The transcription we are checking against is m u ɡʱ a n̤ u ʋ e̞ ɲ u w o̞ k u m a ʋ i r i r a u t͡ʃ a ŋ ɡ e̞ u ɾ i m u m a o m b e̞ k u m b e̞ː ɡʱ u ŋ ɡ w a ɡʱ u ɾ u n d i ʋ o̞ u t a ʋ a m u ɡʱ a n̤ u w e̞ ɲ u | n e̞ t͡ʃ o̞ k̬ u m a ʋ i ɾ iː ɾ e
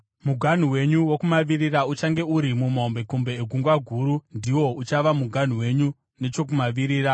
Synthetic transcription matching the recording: m u ɡʱ a n̤ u w e̞ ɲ u w o̞ k u m a ʋ i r i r a u t͡ʃ a ŋ ɡ e̞ u ɾ i m u m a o m b e̞ k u m b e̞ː ɡʱ u ŋ ɡ w a ɡʱ u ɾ u n d i w o̞ u t͡ʃ a ʋ a m u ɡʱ a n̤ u w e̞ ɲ u | n e̞ t͡ʃ o̞ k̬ u m a ʋ i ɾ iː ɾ a